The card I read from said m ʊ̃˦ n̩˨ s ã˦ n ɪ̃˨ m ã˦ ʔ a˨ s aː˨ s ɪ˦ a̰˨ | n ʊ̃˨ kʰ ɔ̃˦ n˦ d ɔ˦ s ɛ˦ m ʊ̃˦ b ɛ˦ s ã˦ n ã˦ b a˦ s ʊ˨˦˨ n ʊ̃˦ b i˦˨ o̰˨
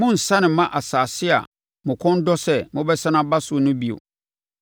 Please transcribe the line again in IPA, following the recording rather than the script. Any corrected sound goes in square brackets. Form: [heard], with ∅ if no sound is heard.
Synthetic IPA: m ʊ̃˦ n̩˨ s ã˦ n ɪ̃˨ m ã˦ ʔ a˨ s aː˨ s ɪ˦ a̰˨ | [m] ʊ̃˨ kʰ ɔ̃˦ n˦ d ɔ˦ s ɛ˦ m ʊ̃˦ b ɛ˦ s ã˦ n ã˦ b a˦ s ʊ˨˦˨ n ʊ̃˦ b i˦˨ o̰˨